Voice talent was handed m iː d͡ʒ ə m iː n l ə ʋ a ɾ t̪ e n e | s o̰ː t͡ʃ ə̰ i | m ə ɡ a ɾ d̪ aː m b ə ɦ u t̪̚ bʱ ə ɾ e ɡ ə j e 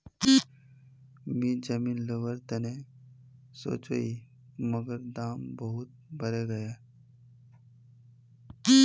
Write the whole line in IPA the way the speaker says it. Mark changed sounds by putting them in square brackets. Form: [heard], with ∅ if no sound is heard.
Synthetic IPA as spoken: m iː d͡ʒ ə m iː n l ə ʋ [ə] ɾ t̪ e n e | s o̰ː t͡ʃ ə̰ i | m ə ɡ [ə] ɾ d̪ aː m b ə ɦ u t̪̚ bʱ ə ɾ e ɡ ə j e